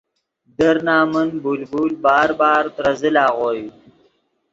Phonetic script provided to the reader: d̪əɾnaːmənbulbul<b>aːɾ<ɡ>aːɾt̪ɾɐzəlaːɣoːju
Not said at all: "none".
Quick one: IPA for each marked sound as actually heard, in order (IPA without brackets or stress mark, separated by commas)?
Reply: b, b